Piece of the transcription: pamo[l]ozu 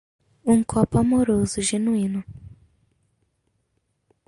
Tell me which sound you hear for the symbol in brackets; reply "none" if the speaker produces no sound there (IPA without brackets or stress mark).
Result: ɾ